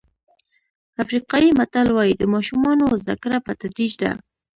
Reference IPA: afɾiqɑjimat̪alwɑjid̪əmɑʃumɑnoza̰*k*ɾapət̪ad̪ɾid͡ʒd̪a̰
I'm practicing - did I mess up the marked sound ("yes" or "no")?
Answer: no